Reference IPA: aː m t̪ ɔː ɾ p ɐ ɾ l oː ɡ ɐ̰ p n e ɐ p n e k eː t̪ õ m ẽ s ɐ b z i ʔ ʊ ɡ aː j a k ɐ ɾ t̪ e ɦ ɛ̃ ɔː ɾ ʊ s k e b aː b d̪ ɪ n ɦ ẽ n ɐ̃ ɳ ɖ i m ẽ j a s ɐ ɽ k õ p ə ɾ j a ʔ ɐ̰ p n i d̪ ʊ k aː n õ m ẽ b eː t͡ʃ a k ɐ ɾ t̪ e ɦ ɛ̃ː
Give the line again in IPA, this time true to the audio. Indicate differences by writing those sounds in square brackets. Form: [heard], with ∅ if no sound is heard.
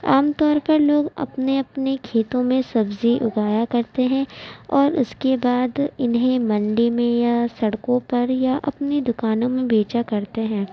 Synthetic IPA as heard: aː m t̪ ɔː ɾ p ɐ ɾ l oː ɡ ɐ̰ p n e ɐ p n e [kʰ] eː t̪ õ m ẽ s ɐ b z i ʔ ʊ ɡ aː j a k ɐ ɾ t̪ e ɦ ɛ̃ ɔː ɾ ʊ s k e b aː [∅] d̪ ɪ n ɦ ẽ [m] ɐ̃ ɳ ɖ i m ẽ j a s ɐ ɽ k õ p [ɐ] ɾ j a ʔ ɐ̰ p n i d̪ ʊ k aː n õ m ẽ b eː t͡ʃ a k ɐ ɾ t̪ e ɦ ɛ̃ː